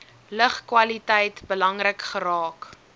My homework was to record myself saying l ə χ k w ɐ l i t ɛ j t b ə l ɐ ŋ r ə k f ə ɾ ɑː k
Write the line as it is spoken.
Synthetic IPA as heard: l ə χ k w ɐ l i t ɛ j t b ə l ɐ ŋ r ə k χ ə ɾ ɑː k